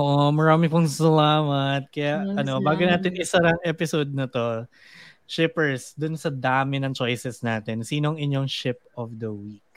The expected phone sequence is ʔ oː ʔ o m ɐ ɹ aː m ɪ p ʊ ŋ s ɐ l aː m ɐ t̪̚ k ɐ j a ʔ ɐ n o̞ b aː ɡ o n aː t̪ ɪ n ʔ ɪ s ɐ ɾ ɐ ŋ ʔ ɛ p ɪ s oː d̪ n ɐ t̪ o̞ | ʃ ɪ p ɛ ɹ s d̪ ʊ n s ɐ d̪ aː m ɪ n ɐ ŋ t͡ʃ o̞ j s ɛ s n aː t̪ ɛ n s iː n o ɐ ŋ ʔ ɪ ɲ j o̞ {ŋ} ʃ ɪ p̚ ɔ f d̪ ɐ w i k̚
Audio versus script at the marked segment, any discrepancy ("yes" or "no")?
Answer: no